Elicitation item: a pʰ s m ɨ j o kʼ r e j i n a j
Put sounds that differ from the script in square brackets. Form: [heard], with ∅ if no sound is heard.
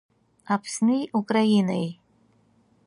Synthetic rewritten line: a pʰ s [n] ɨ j [u] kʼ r [a] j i n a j